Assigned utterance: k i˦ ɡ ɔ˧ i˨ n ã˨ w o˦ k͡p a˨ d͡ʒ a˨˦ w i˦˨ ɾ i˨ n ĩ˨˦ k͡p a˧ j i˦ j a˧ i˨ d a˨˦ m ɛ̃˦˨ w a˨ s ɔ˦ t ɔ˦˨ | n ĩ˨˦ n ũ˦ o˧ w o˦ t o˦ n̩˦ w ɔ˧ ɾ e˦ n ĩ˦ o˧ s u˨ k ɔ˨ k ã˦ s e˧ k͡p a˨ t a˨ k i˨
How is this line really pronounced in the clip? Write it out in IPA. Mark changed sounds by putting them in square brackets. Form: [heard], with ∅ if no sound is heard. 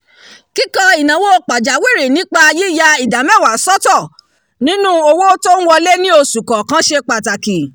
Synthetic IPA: k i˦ [k] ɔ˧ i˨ n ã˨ w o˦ k͡p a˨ d͡ʒ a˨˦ w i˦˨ ɾ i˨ n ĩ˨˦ k͡p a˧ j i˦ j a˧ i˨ d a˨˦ m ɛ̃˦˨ w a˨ s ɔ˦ t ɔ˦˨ | n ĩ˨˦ n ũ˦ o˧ w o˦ t o˦ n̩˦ w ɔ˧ [l] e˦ n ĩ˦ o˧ s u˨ k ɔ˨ k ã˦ [ʃ] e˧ k͡p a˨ t a˨ k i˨